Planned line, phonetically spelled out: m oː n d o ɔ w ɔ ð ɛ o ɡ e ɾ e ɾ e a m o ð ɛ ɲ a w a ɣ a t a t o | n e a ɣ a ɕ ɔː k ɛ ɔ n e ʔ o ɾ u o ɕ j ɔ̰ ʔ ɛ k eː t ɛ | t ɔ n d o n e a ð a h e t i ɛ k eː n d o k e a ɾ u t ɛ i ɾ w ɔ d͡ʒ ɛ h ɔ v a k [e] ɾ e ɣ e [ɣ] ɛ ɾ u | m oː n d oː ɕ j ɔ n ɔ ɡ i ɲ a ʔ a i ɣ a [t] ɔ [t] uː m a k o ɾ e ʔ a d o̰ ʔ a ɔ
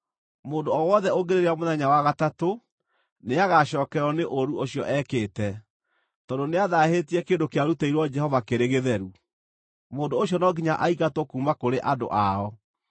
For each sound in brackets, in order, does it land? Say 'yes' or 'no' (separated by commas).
yes, no, yes, no